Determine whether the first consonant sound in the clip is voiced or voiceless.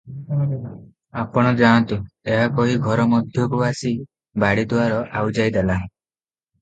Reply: voiceless